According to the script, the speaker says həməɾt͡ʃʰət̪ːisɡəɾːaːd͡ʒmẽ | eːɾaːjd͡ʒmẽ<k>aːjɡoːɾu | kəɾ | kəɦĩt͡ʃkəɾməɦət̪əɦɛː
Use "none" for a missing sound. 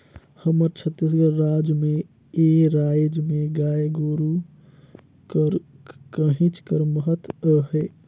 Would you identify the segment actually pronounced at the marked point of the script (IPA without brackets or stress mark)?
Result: ɡ